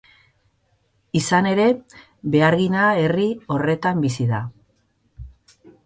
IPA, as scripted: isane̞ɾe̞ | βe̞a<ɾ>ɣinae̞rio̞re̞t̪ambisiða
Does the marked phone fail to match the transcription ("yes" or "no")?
no